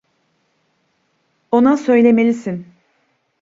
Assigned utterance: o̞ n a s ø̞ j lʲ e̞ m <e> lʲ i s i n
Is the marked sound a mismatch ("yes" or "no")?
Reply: no